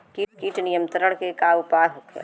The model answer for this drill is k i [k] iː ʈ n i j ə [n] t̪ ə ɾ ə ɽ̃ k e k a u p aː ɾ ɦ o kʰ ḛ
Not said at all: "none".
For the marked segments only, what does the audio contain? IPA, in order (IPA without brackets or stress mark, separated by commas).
k, m